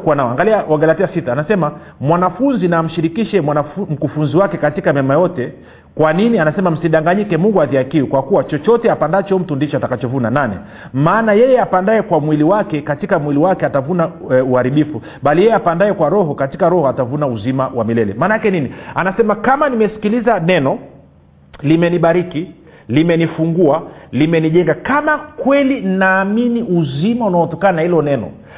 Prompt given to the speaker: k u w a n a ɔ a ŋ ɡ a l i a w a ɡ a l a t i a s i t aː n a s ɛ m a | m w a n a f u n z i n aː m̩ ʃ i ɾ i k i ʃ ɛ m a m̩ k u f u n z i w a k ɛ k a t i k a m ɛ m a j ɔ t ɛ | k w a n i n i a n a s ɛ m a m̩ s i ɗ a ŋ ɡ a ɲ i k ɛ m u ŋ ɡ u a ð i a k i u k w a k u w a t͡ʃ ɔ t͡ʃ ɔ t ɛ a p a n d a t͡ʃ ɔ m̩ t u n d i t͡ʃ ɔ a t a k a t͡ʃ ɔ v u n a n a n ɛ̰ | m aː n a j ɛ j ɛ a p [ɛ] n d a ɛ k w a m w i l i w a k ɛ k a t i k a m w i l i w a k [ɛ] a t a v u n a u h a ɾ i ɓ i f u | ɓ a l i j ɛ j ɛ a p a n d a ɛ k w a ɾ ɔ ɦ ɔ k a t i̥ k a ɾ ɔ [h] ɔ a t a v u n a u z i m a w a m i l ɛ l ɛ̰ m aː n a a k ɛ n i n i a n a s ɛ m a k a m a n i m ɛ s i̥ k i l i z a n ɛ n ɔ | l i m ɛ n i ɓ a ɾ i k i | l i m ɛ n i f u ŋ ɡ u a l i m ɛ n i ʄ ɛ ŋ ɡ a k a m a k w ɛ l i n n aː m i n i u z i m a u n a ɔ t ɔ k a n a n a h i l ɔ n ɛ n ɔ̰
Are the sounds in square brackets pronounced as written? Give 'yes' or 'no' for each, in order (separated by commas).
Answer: no, yes, yes